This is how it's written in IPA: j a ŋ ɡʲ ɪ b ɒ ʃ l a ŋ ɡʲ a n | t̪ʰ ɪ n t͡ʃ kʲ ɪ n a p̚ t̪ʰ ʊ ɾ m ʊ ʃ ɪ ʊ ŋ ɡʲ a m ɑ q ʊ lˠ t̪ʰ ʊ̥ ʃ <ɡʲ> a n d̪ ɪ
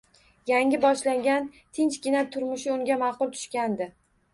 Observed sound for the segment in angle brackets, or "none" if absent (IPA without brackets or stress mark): kʲ